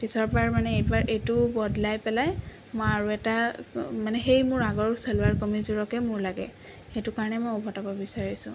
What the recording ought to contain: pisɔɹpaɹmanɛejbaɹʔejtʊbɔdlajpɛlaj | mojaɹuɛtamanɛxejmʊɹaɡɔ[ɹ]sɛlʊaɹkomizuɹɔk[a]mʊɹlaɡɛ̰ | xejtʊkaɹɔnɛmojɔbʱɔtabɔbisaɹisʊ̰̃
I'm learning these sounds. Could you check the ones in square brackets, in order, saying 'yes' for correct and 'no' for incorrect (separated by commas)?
yes, no